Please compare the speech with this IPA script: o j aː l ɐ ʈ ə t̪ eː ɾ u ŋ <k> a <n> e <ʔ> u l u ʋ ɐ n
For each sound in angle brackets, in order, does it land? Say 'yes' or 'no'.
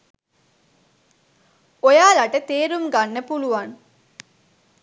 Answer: no, no, no

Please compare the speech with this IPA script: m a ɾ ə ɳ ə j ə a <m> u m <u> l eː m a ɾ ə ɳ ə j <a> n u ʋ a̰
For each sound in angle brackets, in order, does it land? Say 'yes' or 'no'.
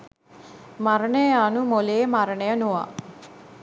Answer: no, no, no

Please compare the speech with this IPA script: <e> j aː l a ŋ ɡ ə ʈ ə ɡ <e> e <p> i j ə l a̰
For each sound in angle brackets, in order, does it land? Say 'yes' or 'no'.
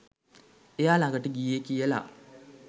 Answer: yes, no, no

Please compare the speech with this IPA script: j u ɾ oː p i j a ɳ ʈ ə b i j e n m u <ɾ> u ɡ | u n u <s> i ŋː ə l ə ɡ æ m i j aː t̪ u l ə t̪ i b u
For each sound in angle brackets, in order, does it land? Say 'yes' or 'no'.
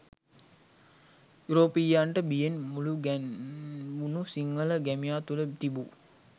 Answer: no, yes

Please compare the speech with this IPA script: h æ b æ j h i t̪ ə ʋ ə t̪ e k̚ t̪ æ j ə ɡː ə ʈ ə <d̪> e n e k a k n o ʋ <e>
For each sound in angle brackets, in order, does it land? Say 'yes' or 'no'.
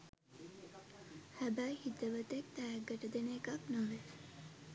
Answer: yes, yes

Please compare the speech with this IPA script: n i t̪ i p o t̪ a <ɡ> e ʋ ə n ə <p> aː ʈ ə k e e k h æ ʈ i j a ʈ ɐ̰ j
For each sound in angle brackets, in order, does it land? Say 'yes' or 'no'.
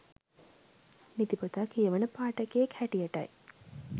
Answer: no, yes

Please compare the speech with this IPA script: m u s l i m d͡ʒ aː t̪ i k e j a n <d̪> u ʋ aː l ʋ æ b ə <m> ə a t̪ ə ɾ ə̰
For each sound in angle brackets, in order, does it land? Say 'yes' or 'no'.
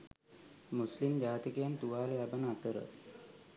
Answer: no, no

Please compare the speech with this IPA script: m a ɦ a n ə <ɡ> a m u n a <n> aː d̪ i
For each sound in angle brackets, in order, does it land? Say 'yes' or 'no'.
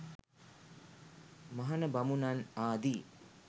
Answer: no, yes

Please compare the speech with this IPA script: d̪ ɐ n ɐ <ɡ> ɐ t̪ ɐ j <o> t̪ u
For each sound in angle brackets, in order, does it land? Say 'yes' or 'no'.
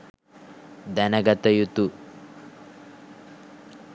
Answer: yes, no

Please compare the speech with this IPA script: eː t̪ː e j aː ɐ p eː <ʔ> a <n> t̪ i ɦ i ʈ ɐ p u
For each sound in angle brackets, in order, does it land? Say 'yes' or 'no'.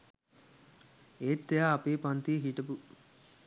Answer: no, yes

